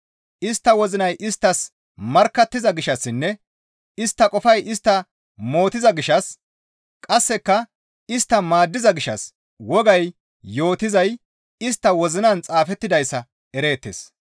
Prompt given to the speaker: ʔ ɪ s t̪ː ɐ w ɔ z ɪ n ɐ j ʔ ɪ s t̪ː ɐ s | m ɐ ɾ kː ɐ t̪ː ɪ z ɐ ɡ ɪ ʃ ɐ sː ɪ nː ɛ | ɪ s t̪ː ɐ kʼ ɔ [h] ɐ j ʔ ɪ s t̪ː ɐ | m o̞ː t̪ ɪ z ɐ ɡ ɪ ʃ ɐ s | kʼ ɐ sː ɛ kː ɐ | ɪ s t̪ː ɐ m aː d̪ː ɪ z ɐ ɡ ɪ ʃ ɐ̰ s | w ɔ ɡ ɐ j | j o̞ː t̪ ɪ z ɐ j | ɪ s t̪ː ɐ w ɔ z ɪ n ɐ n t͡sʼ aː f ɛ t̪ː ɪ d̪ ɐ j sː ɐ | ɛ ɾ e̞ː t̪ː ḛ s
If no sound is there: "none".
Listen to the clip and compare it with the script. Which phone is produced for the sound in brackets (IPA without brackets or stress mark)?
f